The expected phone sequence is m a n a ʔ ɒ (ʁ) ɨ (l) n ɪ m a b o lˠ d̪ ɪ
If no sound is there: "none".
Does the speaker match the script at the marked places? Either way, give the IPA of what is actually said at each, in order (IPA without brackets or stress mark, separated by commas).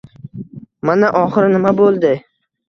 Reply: χ, ɾ